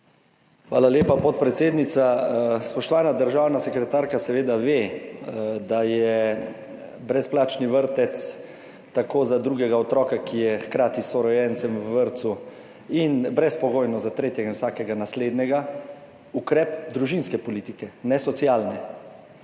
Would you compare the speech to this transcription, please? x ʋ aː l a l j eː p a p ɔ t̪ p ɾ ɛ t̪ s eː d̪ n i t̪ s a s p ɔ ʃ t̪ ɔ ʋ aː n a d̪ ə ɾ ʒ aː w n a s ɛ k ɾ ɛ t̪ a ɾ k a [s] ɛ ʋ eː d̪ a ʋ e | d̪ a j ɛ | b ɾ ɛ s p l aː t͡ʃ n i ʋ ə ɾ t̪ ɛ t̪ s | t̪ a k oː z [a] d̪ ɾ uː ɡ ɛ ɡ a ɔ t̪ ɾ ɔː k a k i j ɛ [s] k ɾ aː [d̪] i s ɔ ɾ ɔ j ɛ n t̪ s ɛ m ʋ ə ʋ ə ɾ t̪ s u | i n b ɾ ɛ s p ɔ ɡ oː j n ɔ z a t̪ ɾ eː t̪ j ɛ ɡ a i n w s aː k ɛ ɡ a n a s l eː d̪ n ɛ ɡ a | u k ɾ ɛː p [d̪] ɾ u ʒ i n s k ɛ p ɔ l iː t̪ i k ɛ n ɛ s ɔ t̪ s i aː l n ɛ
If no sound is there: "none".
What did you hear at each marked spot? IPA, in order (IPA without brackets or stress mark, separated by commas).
s, a, x, t̪, d̪